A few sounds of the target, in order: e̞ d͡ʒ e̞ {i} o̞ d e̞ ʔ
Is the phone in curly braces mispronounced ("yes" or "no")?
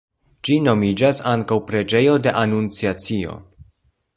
yes